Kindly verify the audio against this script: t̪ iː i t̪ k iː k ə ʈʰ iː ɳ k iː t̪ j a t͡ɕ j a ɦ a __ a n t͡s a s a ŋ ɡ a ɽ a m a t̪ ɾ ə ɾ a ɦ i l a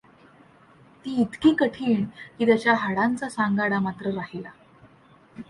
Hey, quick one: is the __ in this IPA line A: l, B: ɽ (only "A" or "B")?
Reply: B